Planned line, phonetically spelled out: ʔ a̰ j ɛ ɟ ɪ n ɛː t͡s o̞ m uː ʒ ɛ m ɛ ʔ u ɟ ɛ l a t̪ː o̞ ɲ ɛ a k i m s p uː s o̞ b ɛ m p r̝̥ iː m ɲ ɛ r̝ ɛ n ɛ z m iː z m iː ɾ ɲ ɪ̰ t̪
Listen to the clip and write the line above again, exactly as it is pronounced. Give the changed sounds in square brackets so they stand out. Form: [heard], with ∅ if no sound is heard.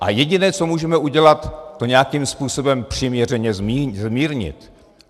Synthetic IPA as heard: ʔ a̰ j ɛ ɟ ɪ n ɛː t͡s o̞ m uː ʒ ɛ m ɛ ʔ u ɟ ɛ l a t̪ː o̞ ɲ ɛ a k i m s p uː s o̞ b ɛ m p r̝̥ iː m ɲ ɛ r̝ ɛ [ɲ] ɛ z m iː z m iː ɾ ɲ ɪ̰ t̪